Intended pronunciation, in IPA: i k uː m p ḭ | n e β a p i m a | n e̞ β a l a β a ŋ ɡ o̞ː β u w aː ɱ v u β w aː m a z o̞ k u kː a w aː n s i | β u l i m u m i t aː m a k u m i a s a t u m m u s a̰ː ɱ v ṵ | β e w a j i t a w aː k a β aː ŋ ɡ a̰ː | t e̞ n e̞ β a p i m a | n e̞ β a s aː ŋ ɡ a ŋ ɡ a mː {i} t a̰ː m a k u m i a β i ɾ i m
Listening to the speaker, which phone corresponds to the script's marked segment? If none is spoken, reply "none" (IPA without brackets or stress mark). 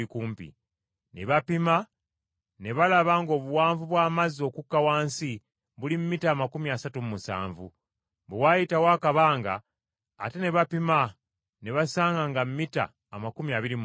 i